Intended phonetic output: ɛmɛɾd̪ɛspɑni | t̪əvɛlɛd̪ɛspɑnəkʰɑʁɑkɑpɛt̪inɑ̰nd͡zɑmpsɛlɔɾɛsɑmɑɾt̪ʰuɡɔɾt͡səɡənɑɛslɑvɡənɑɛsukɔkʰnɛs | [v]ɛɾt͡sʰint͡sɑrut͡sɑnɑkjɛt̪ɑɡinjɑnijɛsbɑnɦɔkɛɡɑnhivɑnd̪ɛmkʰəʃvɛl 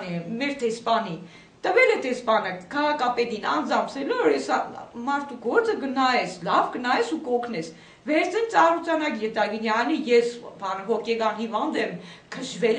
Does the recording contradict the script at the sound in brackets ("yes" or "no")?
no